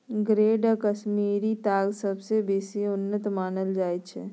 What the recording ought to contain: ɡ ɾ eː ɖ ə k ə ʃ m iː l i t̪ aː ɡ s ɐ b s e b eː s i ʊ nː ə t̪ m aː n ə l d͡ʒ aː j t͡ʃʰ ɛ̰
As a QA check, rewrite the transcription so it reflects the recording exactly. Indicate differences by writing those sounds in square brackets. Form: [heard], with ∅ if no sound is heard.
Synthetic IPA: ɡ ɾ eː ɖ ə k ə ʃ m iː [ɾ] i t̪ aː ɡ s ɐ b s e b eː s i ʊ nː ə t̪ m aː n ə l d͡ʒ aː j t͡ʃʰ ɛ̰